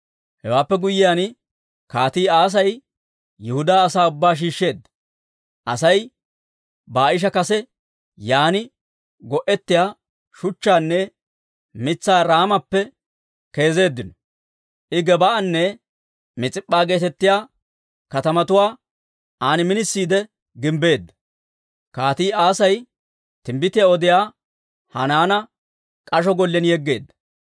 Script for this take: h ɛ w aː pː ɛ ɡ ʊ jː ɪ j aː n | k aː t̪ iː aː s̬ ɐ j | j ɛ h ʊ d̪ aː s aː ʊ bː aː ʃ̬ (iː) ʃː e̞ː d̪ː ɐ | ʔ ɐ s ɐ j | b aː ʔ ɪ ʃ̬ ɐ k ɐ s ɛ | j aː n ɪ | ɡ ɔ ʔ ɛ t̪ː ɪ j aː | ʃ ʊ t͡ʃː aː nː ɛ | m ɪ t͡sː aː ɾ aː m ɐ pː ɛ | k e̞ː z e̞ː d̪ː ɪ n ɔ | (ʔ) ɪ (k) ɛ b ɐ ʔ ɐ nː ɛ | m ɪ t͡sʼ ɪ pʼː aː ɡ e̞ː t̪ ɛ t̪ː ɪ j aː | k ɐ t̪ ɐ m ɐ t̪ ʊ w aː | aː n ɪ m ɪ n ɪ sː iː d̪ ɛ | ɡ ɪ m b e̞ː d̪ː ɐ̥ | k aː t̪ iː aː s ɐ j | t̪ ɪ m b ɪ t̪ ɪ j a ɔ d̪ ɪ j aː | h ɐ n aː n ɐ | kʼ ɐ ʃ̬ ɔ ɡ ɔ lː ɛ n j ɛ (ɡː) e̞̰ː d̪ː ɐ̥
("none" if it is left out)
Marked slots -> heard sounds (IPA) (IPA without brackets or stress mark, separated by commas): iː, ʔ, ɡ, ɡː